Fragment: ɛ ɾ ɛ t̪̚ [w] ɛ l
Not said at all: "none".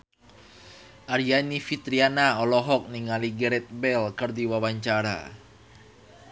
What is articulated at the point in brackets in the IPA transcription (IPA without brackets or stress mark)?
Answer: b